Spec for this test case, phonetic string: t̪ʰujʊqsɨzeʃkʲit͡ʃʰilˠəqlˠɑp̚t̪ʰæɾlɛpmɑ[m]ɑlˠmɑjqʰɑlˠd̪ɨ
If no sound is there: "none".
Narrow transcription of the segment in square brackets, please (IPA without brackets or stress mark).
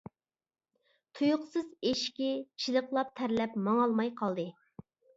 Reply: ŋ